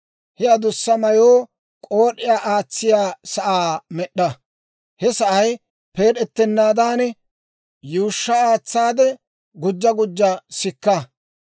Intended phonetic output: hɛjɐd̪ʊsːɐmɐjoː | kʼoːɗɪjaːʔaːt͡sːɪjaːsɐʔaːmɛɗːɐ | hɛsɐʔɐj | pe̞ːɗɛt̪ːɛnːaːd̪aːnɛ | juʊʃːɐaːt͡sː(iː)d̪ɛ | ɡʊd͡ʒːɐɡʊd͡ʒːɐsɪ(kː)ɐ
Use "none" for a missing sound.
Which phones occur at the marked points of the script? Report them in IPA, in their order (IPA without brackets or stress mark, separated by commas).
aː, kː